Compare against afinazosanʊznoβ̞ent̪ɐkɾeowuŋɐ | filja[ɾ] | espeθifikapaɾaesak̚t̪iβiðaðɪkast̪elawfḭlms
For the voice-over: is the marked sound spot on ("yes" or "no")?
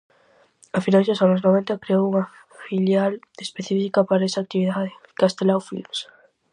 no